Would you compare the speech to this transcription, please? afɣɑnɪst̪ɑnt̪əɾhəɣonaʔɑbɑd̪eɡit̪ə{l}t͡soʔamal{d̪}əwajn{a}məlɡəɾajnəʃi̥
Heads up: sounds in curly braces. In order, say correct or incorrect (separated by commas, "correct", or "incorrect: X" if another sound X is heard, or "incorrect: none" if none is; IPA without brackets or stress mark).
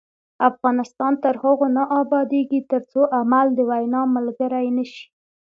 incorrect: ɾ, correct, incorrect: ɑ